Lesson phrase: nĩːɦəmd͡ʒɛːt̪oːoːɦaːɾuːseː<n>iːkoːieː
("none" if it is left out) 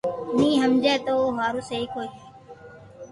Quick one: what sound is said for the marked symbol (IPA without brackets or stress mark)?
none